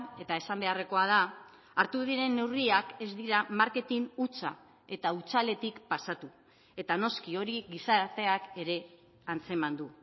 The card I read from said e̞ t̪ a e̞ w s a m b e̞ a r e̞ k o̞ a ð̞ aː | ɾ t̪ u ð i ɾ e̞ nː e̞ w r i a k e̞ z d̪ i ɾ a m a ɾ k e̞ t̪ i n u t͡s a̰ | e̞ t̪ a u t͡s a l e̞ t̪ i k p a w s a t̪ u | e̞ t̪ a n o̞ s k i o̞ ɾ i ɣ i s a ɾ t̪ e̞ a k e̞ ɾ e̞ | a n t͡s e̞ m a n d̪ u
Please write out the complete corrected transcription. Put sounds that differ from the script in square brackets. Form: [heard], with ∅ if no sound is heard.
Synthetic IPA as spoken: e̞ t̪ a e̞ [∅] s a m b e̞ a r e̞ k o̞ a ð̞ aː | ɾ t̪ u ð i ɾ e̞ nː e̞ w r i a k e̞ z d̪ i ɾ a m a ɾ k e̞ t̪ i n u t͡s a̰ | e̞ t̪ a u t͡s a l e̞ t̪ i k p a [∅] s a t̪ u | e̞ t̪ a n o̞ s k i o̞ ɾ i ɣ i s a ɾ t̪ e̞ a k e̞ ɾ e̞ | a n t͡s e̞ m a n d̪ u